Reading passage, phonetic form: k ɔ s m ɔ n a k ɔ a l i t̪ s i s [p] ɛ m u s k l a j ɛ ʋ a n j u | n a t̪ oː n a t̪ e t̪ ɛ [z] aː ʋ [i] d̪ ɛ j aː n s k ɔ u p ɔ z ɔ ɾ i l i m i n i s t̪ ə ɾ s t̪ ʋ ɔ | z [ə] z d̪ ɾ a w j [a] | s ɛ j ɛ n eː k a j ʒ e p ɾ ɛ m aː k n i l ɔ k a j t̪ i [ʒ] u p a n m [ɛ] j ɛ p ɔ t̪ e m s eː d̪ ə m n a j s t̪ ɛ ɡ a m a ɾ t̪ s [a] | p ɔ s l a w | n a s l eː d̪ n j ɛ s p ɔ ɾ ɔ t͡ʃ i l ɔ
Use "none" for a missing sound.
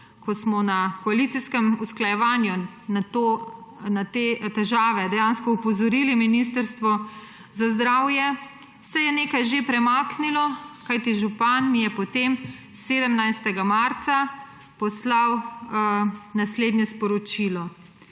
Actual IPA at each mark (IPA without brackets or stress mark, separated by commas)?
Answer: k, ʒ, ɛ, a, ɛ, ʒ, i, a